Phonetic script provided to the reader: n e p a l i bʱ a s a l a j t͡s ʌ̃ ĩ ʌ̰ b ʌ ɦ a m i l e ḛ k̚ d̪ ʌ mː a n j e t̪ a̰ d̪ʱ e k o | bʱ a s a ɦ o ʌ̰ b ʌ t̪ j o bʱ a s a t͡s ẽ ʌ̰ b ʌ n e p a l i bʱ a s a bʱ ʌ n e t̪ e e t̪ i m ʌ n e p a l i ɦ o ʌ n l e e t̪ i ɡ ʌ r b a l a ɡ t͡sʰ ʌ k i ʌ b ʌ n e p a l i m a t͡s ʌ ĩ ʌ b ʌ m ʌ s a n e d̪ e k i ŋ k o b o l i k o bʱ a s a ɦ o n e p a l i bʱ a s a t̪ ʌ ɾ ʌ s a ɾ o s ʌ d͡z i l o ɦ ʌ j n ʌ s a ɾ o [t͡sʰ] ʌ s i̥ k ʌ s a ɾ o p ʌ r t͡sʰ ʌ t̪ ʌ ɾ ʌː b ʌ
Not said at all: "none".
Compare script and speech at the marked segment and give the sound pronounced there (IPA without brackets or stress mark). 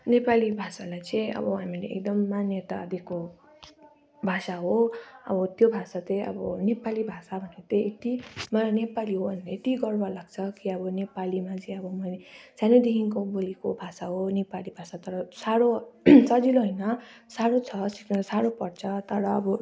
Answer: t͡sʰ